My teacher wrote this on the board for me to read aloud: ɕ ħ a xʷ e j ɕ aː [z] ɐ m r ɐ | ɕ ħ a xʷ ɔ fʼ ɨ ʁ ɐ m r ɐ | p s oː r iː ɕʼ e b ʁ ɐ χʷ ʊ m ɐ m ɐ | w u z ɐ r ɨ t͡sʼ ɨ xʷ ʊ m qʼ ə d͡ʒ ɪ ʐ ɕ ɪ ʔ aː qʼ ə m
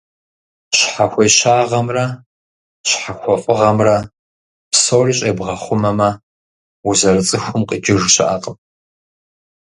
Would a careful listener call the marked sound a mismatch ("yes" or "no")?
yes